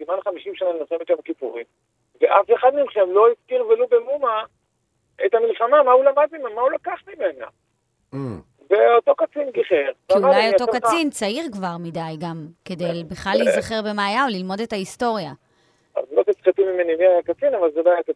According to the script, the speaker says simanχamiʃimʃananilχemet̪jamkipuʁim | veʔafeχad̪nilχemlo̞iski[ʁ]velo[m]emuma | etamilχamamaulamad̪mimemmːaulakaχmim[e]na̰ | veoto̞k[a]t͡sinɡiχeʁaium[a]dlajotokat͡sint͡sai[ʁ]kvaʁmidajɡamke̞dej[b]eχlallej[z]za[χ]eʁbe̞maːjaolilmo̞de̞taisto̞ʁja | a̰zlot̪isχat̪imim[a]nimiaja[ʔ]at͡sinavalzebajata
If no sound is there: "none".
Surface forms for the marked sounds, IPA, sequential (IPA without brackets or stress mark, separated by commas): ʁ, b, e, a, a, ʁ, b, z, χ, e, k